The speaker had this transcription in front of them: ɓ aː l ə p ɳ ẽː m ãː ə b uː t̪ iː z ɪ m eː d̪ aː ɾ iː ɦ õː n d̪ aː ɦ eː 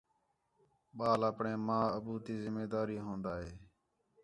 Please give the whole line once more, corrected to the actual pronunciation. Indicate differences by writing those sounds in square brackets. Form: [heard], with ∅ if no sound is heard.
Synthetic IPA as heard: ɓ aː l ə p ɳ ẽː m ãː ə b uː t̪ iː z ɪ m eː d̪ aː ɾ iː ɦ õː n d̪ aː ɦ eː